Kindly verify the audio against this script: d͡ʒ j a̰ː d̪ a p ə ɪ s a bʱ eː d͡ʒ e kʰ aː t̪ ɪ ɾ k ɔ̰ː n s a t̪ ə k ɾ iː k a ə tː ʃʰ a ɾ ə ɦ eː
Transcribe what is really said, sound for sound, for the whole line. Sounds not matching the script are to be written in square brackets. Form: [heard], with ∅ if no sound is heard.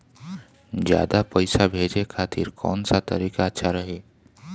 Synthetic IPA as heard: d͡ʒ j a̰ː d̪ a p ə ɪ s a bʱ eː d͡ʒ e kʰ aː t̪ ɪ ɾ k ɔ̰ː n s a t̪ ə [∅] ɾ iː k a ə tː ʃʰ a ɾ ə ɦ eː